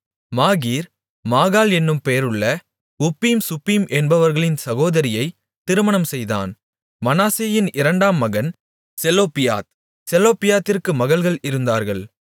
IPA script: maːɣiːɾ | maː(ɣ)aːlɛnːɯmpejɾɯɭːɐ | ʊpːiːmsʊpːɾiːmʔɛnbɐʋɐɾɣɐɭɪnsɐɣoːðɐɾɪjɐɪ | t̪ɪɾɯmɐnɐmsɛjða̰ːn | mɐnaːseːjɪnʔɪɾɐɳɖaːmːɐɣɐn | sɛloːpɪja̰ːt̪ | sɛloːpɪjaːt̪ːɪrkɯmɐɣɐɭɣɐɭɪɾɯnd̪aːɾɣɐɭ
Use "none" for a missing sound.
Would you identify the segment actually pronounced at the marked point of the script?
ɣ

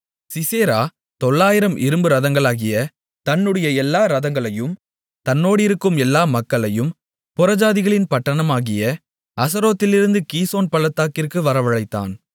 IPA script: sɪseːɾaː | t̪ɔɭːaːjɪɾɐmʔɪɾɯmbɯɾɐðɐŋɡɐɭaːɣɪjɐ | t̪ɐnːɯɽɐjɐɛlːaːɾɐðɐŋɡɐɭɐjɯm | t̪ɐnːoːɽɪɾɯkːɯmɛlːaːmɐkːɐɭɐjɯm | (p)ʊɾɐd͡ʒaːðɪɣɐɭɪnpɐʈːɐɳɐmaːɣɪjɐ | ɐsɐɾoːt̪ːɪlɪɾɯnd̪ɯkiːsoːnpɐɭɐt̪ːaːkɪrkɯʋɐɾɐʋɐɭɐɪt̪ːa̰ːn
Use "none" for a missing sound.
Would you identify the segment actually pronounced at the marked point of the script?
p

